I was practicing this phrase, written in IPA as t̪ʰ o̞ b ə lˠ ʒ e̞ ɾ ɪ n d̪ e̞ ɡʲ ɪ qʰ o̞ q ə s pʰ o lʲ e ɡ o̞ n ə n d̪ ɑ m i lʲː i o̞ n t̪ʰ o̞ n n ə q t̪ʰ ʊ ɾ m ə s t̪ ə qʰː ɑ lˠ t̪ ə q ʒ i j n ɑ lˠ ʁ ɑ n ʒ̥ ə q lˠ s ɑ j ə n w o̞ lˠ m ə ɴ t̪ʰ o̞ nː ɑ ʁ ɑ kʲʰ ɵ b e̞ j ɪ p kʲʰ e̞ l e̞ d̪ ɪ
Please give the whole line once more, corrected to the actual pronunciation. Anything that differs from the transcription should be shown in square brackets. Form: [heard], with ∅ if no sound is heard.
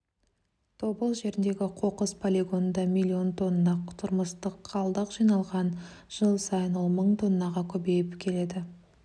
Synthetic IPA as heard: t̪ʰ o̞ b ə lˠ ʒ e̞ ɾ ɪ n d̪ e̞ ɡʲ ɪ qʰ o̞ q ə s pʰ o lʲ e ɡ o̞ n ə n d̪ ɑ m i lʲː i o̞ n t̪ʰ o̞ n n [ɑ] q t̪ʰ ʊ ɾ m ə s t̪ ə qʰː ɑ lˠ [d̪] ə q ʒ i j n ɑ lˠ ʁ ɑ n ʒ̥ ə [∅] lˠ s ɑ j ə n w o̞ lˠ m ə ɴ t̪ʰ o̞ nː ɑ ʁ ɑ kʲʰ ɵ b e̞ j ɪ p kʲʰ e̞ l e̞ d̪ ɪ